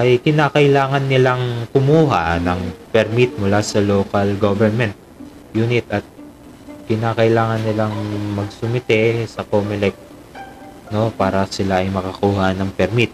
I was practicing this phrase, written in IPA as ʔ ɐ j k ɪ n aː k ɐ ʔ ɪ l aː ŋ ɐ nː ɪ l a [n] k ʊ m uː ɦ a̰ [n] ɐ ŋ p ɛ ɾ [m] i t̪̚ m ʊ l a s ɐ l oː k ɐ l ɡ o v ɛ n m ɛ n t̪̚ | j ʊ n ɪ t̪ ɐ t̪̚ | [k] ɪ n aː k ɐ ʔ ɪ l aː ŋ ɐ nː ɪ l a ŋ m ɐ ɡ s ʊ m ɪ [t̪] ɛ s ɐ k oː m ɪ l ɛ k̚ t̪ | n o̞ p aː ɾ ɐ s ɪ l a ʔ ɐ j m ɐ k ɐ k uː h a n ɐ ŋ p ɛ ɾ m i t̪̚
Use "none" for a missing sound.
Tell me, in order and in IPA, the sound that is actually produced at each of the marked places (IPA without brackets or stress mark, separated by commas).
ŋ, n, m, k, t̪